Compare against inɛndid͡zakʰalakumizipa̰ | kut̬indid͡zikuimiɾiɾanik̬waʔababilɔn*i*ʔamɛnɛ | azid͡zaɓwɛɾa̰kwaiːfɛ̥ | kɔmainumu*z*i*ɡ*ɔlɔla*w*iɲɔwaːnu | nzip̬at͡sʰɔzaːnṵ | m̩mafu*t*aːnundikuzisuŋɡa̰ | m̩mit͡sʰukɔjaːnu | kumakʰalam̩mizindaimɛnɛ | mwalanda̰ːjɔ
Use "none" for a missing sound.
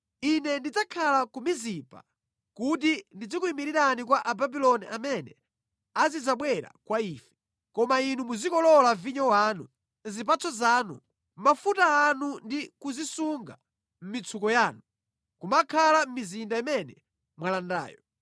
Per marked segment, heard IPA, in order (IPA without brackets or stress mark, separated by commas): i, z, k, v, t